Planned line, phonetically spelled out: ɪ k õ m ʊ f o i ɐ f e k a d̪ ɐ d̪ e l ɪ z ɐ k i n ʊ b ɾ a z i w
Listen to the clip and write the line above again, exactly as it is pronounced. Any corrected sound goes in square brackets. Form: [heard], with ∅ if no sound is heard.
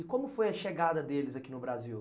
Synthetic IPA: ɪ k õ m ʊ f o [j] ɐ [ʃ] e [ɡ] a d̪ ɐ d̪ e l ɪ z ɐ k i n ʊ b ɾ a z i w